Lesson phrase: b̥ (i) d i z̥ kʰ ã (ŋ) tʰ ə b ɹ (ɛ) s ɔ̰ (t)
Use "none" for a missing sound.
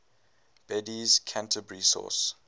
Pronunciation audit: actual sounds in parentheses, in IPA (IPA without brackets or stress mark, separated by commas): ɛ, n, i, s